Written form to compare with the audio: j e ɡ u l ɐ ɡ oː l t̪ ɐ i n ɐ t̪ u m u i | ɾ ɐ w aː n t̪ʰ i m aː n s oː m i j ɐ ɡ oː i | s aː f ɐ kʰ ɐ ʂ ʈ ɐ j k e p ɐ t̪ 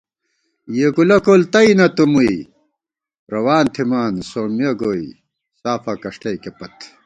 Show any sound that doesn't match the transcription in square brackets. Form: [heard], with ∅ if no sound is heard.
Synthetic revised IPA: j e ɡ u l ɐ [k] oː l t̪ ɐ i n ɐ t̪ u m u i | ɾ ɐ w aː n t̪ʰ i m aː n s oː m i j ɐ ɡ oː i | s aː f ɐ [k] ɐ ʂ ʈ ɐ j k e p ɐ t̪